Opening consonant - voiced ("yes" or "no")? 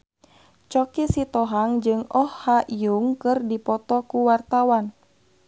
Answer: no